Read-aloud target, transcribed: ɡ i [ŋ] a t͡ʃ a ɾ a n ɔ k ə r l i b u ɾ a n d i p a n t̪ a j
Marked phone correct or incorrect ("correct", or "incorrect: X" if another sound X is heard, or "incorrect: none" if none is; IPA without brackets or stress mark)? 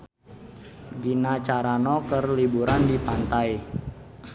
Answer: incorrect: n